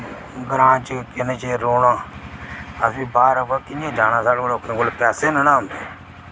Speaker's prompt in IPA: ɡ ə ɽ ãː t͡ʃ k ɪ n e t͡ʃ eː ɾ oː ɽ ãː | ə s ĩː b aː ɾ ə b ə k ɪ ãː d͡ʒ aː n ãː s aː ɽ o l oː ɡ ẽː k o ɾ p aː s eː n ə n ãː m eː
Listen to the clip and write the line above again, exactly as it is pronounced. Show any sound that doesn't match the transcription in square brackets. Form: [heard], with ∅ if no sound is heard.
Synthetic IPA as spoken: ɡ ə [ɾ] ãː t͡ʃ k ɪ n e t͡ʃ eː ɾ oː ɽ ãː | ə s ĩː b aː ɾ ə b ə k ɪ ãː d͡ʒ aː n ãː s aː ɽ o l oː [k] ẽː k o [l] p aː s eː n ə n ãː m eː